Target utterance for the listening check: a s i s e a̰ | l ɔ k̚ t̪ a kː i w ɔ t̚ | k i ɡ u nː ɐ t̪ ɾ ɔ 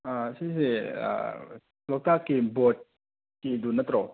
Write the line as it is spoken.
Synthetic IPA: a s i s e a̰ | l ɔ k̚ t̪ a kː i b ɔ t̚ | k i d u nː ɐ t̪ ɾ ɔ